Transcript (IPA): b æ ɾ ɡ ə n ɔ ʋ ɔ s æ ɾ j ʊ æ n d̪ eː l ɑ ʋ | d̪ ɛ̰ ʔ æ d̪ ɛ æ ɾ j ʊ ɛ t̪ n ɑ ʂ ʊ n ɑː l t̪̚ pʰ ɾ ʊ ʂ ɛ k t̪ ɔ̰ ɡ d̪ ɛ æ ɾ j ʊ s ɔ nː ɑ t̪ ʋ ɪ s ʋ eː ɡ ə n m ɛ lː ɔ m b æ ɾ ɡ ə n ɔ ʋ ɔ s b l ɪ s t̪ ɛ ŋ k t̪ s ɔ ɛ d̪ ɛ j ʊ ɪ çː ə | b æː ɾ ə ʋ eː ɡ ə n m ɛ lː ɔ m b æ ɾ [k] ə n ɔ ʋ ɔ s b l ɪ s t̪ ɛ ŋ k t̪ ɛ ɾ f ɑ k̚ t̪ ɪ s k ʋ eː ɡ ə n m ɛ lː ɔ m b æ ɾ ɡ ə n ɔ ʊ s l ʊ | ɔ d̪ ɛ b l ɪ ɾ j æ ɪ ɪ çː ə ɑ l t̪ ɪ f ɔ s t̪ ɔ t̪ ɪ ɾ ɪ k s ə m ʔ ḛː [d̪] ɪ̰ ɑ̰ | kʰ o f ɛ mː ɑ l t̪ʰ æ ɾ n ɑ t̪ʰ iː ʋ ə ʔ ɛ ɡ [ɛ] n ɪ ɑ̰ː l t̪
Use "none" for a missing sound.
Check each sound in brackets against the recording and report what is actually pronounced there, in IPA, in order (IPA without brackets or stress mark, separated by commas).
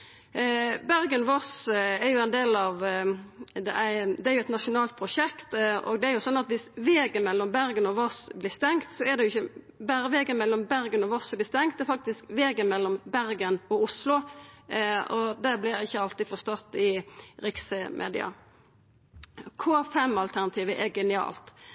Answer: ɡ, d̪, ɛ